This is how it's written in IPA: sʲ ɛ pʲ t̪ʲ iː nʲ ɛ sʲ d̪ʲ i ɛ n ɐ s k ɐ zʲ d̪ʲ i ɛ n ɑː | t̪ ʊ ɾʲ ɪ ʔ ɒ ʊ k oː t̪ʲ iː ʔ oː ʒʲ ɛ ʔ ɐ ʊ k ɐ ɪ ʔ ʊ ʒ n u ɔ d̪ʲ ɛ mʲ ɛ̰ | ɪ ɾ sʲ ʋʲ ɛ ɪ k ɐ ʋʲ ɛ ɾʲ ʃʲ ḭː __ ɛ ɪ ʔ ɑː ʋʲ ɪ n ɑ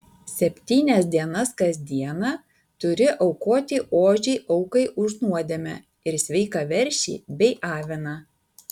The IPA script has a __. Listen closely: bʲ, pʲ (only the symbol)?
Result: bʲ